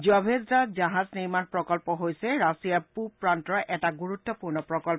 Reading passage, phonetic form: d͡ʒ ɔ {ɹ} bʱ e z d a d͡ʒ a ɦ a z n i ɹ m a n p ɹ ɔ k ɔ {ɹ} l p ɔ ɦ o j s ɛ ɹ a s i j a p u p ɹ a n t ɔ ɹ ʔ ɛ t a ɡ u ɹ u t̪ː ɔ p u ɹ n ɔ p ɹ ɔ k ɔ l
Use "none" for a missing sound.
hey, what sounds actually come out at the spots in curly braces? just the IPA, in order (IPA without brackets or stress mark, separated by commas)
none, none